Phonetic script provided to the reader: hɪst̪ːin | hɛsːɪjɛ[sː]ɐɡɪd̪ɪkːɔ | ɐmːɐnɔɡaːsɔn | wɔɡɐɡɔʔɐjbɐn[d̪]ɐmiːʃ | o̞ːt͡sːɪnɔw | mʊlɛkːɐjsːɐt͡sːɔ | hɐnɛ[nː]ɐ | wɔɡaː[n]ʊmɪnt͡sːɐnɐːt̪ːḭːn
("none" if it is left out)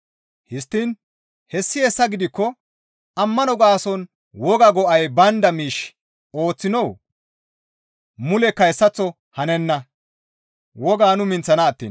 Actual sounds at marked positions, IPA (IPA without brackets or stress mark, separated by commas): sː, d̪, nː, n